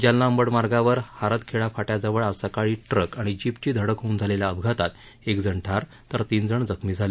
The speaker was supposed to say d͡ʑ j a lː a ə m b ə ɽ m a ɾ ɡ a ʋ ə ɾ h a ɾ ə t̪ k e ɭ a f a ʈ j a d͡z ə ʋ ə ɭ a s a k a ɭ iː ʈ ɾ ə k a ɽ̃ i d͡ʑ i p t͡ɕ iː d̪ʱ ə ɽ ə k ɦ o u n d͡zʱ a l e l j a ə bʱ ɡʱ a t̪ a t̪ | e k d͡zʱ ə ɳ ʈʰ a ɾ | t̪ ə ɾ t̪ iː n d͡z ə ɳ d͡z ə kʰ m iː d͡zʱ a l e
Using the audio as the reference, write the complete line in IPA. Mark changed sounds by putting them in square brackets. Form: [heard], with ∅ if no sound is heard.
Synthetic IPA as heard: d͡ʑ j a lː a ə m b ə ɽ m a ɾ ɡ a ʋ ə ɾ h a ɾ ə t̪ [kʰ] e ɭ a f a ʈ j a d͡z ə ʋ ə ɭ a s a k a ɭ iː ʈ ɾ ə k a ɽ̃ i d͡ʑ i p t͡ɕ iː d̪ʱ ə ɽ ə k ɦ o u n d͡zʱ a l e l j a ə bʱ ɡʱ a t̪ a t̪ | e k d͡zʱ ə ɳ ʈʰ a ɾ | t̪ ə ɾ t̪ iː n d͡z ə ɳ d͡z ə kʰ m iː d͡zʱ a l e